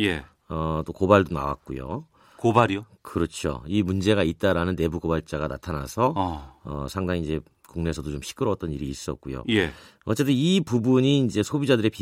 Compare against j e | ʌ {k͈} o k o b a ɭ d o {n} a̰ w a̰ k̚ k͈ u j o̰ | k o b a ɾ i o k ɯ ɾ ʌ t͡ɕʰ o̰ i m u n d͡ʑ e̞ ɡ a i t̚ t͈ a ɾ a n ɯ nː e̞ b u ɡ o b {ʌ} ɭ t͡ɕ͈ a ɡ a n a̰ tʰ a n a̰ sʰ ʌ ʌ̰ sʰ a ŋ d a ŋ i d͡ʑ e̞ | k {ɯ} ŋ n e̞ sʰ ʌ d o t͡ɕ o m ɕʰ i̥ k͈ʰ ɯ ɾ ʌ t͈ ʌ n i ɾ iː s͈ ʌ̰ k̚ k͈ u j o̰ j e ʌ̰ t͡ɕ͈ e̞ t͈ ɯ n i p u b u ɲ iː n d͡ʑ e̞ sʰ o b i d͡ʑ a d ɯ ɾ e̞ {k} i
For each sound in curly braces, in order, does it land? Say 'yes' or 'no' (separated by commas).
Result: no, yes, no, no, no